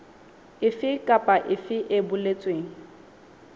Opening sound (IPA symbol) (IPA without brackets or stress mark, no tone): ɪ